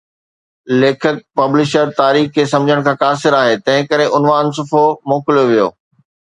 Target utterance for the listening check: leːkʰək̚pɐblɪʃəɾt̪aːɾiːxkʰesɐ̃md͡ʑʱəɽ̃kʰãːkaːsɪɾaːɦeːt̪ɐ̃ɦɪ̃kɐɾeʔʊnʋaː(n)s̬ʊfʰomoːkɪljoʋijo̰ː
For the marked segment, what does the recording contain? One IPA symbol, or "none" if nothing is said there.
n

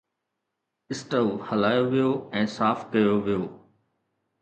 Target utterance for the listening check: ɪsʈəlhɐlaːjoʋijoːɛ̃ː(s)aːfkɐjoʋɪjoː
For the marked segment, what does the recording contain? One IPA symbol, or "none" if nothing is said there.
s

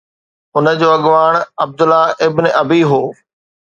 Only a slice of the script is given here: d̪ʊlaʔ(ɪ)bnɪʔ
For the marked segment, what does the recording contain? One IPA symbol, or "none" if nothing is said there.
ɪ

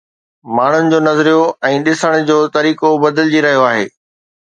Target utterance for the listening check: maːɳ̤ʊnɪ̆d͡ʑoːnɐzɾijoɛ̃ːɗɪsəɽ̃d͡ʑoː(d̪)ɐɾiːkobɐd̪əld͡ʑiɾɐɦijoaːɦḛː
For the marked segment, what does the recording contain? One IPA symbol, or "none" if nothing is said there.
t̪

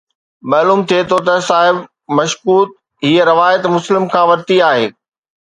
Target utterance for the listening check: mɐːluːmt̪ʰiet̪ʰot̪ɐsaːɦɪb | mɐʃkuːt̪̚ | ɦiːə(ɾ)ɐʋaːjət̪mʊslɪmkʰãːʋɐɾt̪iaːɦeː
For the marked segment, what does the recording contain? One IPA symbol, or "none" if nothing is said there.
ɾ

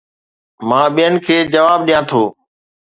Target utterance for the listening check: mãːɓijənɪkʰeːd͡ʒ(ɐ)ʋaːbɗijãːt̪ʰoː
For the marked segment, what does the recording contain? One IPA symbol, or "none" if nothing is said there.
ə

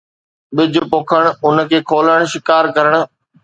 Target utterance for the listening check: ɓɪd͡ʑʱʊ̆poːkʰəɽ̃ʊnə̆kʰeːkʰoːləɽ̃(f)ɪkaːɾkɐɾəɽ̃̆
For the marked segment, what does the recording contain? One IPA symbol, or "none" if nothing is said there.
ʃ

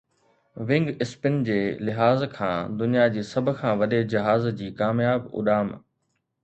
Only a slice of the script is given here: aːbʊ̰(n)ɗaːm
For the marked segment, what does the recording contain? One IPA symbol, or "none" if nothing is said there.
none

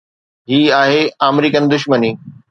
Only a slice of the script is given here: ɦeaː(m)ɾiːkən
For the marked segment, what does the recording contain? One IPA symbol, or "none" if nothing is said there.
m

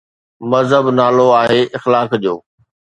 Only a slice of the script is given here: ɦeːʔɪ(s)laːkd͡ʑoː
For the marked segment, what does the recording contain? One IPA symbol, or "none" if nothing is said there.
x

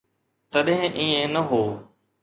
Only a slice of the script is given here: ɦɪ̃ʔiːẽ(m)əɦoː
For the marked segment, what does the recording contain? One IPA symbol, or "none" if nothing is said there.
n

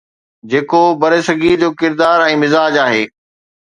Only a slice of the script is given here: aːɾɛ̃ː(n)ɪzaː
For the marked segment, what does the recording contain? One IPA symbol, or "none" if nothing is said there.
m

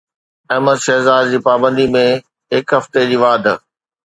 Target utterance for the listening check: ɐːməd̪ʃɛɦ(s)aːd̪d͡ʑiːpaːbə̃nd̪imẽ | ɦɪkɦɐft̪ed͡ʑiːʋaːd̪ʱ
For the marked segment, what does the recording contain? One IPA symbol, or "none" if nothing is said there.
z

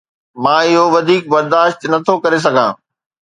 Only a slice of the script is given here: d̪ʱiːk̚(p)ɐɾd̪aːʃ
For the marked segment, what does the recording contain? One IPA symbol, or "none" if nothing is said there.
b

